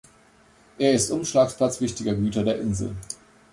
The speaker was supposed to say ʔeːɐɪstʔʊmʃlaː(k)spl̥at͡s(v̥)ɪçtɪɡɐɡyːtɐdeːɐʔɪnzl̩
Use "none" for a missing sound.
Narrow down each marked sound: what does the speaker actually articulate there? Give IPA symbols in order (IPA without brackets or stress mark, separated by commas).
k, v̥